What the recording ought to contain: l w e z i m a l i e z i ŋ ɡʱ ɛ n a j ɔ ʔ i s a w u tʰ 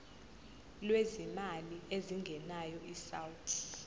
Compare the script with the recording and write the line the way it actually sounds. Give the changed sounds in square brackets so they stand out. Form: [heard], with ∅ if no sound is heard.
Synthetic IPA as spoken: l w e z i m a l i e z i ŋ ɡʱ ɛ n a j ɔ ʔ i s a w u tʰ